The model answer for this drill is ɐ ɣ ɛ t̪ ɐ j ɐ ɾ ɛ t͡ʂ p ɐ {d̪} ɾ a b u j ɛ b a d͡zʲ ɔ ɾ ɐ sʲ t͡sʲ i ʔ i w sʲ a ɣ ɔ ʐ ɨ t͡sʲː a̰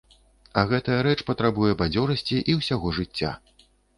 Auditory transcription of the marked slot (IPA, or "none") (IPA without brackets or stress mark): t̪